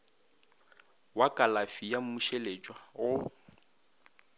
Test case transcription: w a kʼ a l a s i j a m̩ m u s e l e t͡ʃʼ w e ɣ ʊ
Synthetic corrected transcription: w a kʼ a l a f i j a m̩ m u ʃ e l e t͡ʃʼ w a ɣ ʊ

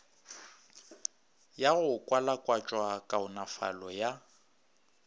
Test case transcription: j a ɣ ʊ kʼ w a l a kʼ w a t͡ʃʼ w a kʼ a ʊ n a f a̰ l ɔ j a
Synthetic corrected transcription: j a ɣ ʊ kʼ w a l a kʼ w a t͡ʃʼ w a kʼ a ʊ n a f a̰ l ɔ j a

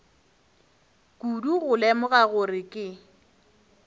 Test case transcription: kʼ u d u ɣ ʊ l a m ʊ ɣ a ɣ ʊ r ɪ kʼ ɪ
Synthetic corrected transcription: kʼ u d u ɣ ʊ l ɛ m ʊ ɣ a ɣ ʊ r ɪ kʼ ɪ

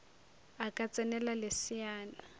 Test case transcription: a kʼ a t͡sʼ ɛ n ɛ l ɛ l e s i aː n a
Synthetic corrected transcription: a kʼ a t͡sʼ ɛ n ɛ l a l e s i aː n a

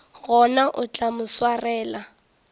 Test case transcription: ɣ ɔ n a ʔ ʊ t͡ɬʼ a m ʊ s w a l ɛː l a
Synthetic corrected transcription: ɣ ɔ n a ʔ ʊ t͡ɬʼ a m ʊ s w a r ɛː l a

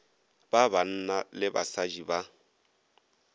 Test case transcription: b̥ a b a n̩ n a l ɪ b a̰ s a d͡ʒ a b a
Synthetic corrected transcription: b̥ a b a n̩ n a l ɪ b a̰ s a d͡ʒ i b a

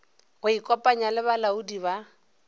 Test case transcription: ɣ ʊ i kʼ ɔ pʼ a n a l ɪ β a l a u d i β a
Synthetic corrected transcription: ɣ ʊ i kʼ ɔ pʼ a ɲ a l ɪ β a l a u d i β a

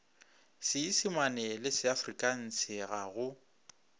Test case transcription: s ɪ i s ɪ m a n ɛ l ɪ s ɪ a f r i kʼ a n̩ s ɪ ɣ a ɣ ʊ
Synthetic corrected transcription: s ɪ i s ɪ m a n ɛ l ɪ s ɪ a f r i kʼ a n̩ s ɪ ɣ a ɣ ʊ

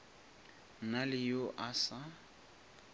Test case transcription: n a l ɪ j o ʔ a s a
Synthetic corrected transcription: n a l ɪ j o ʔ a s a

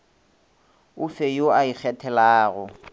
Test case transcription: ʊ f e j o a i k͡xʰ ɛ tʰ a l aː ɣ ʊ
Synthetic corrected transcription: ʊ f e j o a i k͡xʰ ɛ tʰ ɛ l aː ɣ ʊ

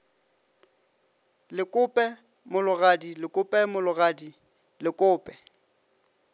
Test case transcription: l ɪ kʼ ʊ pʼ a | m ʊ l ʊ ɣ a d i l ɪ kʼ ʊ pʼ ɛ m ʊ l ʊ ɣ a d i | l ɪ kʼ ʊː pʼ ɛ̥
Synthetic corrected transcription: l ɪ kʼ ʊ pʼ ɛ | m ʊ l ʊ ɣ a d i l ɪ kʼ ʊ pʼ ɛ m ʊ l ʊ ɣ a d i | l ɪ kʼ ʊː pʼ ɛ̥

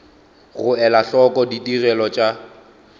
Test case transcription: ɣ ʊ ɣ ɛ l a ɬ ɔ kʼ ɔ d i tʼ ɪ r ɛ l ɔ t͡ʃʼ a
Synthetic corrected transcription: ɣ ʊ ɛ l a ɬ ɔ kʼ ɔ d i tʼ i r ɛ l ɔ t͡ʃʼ a

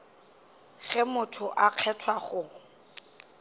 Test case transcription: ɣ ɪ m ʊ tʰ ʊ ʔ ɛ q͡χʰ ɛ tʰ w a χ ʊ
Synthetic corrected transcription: ɣ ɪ m ʊ tʰ ʊ ʔ a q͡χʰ ɛ tʰ w a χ ʊ

